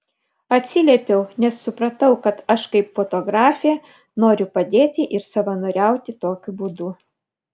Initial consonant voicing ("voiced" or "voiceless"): voiceless